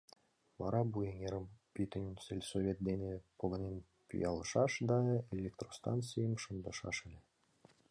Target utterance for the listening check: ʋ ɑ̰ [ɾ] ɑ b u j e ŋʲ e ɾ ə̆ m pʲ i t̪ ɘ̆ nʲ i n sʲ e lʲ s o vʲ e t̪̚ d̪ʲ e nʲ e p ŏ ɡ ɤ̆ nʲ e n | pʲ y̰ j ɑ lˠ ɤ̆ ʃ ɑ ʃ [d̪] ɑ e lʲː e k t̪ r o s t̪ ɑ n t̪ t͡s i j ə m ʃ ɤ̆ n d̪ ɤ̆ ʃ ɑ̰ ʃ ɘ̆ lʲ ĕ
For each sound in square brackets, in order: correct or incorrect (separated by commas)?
correct, correct